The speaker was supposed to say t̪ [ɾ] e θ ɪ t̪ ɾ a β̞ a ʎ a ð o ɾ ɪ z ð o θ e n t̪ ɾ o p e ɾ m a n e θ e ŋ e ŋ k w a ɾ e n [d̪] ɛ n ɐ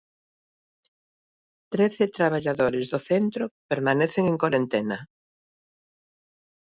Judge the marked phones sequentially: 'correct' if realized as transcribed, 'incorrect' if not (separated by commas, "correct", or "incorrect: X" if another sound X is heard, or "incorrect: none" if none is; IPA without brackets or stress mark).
correct, incorrect: t̪